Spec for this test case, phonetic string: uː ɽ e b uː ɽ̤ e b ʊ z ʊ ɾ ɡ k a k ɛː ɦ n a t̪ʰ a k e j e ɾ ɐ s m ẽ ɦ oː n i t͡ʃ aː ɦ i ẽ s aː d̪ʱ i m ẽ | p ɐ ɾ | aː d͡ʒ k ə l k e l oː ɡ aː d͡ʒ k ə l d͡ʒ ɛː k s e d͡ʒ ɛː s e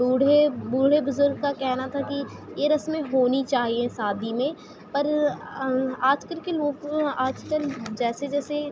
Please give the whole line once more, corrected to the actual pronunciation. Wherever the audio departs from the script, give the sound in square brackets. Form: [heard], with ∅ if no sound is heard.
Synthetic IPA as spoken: uː ɽ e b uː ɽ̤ e b ʊ z ʊ ɾ ɡ k a k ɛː ɦ n a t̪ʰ a k [i] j e ɾ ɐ s m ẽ ɦ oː n i t͡ʃ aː ɦ i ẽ s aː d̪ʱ i m ẽ | p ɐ ɾ | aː d͡ʒ k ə l k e l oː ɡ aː d͡ʒ k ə l d͡ʒ ɛː [∅] s e d͡ʒ ɛː s e